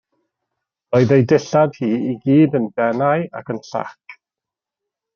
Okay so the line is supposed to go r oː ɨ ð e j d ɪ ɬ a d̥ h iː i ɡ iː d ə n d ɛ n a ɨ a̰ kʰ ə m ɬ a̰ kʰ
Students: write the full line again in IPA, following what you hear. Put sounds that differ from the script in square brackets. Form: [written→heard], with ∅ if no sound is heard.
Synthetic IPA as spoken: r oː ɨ ð e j d ɪ ɬ a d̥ h iː i ɡ iː d ə n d ɛ n a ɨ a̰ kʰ ə [m→n] ɬ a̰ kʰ

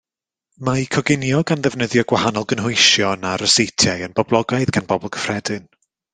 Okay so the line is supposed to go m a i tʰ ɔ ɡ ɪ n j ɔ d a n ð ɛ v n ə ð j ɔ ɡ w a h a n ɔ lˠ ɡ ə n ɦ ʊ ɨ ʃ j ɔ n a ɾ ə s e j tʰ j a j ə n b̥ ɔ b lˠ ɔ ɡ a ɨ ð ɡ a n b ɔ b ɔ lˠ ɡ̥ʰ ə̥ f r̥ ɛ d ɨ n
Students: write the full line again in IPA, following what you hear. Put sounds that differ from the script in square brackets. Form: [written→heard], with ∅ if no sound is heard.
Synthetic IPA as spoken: m a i [tʰ→kʰ] ɔ ɡ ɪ n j ɔ [d→ɡ] a n ð ɛ v n ə ð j ɔ ɡ w a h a n ɔ lˠ ɡ ə n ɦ ʊ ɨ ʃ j ɔ n a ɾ ə s e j tʰ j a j ə n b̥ ɔ b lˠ ɔ ɡ a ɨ ð ɡ a n b ɔ b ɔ lˠ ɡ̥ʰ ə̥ f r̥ ɛ d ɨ n

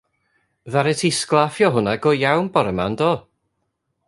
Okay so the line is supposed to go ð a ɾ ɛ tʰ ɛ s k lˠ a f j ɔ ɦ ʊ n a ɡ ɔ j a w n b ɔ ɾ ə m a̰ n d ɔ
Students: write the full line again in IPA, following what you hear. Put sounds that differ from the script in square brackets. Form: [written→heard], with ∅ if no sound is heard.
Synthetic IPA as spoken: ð a ɾ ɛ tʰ [ɛ→i] s k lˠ a f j ɔ ɦ ʊ n a ɡ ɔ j a w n b ɔ ɾ ə m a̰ n d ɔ

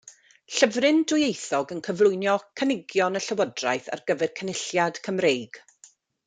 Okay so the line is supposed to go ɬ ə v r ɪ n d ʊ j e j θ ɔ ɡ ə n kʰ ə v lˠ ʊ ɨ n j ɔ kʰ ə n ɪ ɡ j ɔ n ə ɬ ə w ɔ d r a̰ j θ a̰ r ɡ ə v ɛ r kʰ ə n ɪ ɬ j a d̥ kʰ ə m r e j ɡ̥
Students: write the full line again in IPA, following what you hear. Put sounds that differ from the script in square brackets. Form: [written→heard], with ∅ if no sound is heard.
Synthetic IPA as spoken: ɬ ə v r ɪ n d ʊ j e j θ ɔ ɡ ə n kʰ ə v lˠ ʊ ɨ n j ɔ kʰ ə n ɪ ɡ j ɔ n ə ɬ ə w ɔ d r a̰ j θ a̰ r ɡ ə v ɛ r kʰ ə n ɪ ɬ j a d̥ kʰ ə m r e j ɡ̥

